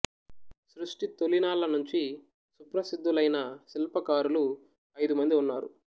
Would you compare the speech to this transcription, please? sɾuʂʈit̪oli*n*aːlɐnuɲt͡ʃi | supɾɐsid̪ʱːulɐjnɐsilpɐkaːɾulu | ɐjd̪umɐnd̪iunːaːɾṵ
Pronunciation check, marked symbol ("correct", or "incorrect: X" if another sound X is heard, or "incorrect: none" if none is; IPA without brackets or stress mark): correct